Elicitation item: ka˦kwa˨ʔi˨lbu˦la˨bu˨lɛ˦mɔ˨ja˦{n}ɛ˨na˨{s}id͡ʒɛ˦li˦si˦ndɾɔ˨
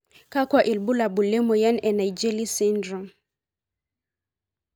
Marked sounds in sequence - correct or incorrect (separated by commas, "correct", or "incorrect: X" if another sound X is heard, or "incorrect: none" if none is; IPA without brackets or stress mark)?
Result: correct, incorrect: none